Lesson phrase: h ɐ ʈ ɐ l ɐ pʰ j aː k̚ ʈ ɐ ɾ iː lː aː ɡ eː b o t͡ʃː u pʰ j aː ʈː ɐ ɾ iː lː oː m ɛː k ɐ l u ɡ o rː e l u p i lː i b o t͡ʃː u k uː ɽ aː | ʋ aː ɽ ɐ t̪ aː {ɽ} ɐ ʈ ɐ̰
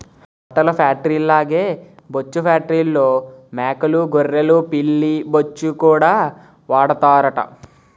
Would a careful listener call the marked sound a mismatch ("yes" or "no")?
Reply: yes